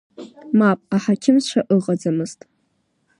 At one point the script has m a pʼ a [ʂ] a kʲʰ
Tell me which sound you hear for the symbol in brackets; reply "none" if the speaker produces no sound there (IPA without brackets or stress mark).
ħ